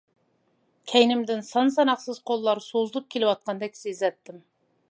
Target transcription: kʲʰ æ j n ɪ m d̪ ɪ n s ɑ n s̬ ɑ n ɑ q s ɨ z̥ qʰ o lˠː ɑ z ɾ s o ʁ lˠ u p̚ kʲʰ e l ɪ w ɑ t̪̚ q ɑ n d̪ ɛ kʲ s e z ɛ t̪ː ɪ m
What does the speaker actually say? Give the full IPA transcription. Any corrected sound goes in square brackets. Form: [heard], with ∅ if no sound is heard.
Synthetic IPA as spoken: kʲʰ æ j n ɪ m d̪ ɪ n s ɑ n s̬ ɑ n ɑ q s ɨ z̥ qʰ o lˠː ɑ [∅] ɾ s o [z] lˠ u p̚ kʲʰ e l ɪ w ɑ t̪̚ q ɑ n d̪ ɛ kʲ s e z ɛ t̪ː ɪ m

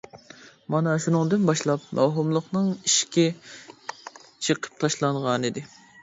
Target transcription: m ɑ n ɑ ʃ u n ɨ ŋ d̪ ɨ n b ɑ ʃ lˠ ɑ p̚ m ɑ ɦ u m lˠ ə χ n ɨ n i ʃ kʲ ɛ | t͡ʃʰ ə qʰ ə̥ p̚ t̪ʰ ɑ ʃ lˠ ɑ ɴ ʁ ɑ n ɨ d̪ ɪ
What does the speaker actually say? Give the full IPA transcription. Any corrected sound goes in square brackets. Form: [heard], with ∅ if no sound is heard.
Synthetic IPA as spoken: m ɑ n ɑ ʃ u n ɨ ŋ d̪ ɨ n b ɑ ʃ lˠ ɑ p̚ m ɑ ɦ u m lˠ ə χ n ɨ [ŋ] i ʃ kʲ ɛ | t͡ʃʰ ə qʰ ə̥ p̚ t̪ʰ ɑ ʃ lˠ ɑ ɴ ʁ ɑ n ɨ d̪ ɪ

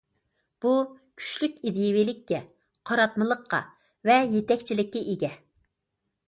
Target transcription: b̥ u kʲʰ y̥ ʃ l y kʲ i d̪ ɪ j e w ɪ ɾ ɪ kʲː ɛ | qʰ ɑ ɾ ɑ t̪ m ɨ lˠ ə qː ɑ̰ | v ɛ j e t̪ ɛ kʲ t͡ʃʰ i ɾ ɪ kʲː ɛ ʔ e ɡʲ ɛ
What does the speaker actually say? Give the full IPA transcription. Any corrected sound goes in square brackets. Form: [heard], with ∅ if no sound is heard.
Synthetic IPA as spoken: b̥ u kʲʰ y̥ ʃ l y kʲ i d̪ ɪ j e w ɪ [l] ɪ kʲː ɛ | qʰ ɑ ɾ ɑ t̪ m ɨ lˠ ə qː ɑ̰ | v ɛ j e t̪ ɛ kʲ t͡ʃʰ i [l] ɪ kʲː ɛ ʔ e ɡʲ ɛ

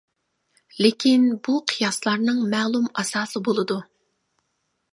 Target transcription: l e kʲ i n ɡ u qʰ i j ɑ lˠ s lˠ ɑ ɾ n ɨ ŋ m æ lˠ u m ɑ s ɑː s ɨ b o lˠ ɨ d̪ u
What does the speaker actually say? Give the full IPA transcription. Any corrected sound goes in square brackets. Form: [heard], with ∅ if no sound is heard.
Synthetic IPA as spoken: l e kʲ i n [b] u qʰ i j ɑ [∅] s lˠ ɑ ɾ n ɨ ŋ m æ lˠ u m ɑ s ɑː s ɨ b o lˠ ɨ d̪ u

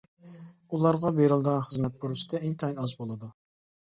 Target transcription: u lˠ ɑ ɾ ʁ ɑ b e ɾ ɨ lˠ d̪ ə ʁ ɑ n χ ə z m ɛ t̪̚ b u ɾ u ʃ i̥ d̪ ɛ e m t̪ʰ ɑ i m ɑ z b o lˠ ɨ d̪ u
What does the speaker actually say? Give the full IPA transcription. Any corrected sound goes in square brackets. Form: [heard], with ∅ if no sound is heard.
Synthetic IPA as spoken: u lˠ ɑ ɾ ʁ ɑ b e ɾ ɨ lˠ d̪ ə ʁ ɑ n χ ə z m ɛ t̪̚ b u ɾ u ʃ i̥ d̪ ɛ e [ŋ] t̪ʰ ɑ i [n] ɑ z b o lˠ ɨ d̪ u

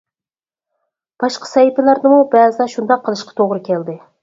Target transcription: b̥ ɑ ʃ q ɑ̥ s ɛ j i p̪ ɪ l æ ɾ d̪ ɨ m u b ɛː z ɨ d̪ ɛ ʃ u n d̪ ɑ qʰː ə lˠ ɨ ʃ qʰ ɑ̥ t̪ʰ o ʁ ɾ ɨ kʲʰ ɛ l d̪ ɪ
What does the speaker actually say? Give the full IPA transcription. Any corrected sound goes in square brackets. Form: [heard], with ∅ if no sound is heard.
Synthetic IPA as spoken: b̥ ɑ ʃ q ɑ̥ s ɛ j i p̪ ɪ l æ ɾ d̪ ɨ m u b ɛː z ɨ d̪ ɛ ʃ u n d̪ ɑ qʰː ə lˠ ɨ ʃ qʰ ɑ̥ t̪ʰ o ʁ ɾ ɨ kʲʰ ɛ l d̪ ɪ

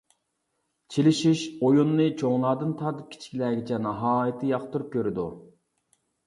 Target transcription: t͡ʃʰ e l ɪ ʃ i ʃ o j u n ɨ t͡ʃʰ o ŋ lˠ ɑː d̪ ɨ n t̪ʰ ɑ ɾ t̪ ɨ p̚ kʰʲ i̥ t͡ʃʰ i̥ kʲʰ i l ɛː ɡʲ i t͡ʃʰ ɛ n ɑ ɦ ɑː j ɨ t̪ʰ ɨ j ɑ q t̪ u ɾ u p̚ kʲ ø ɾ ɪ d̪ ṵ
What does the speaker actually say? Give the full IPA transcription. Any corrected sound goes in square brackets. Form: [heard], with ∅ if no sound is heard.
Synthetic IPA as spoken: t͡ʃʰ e l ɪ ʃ i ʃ o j u [nː] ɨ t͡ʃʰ o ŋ lˠ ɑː d̪ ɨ n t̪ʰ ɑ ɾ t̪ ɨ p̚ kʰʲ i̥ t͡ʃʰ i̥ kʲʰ i l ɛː ɡʲ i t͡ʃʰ ɛ n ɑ ɦ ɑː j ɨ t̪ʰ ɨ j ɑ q t̪ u ɾ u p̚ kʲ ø ɾ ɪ d̪ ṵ

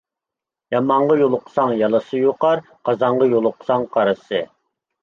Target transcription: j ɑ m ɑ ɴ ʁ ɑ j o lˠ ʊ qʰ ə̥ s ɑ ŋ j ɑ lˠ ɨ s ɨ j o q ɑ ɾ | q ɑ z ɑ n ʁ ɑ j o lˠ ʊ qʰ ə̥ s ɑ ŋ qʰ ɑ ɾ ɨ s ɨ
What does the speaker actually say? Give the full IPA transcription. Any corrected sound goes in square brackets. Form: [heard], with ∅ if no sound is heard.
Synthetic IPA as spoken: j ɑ m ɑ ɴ ʁ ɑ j o lˠ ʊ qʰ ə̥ s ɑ ŋ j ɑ lˠ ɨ s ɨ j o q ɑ ɾ | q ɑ z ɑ [ɴ] ʁ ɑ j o lˠ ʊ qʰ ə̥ s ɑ ŋ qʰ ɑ ɾ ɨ s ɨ

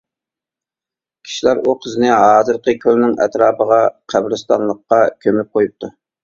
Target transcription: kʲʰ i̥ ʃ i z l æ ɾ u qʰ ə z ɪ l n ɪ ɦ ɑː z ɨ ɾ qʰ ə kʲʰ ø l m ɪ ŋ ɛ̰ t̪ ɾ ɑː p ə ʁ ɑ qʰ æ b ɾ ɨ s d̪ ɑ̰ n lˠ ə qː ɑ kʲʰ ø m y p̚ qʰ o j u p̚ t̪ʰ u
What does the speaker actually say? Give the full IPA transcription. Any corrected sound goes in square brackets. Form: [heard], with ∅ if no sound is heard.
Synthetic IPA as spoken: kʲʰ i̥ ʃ i [∅] l æ ɾ u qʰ ə z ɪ [∅] n ɪ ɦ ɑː z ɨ ɾ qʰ ə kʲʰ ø l [n] ɪ ŋ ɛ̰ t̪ ɾ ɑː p ə ʁ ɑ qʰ æ b ɾ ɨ s [t̪] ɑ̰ n lˠ ə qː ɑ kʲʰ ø m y p̚ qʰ o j u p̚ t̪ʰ u

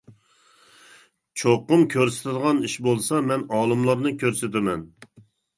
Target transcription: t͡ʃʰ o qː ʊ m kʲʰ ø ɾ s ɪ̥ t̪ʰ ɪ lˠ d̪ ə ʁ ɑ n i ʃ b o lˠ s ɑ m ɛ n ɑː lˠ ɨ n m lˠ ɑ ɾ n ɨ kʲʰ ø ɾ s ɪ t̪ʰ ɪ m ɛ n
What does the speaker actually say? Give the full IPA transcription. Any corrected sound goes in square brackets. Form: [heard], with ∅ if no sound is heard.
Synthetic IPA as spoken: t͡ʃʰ o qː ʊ m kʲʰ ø ɾ s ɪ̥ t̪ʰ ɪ [∅] d̪ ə ʁ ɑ n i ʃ b o lˠ s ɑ m ɛ n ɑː lˠ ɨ [∅] m lˠ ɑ ɾ n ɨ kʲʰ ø ɾ s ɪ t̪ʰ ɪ m ɛ n

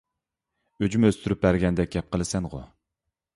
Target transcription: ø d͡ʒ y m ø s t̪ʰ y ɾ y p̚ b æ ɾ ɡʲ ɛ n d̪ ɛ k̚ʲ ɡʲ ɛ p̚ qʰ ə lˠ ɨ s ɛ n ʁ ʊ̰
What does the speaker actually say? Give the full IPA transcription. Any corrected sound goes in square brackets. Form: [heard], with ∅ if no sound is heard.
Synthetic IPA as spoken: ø d͡ʒ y m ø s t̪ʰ y ɾ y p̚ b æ ɾ ɡʲ ɛ n d̪ ɛ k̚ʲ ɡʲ ɛ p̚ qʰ ə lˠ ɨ s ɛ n ʁ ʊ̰

